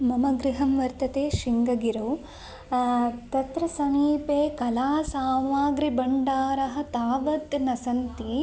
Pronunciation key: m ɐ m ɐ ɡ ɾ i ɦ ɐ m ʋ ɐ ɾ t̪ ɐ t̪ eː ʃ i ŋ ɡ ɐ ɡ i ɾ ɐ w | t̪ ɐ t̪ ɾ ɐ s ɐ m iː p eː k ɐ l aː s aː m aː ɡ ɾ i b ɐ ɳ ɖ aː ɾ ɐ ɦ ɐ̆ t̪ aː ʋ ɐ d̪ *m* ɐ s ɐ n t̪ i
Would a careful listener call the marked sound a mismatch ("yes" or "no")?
yes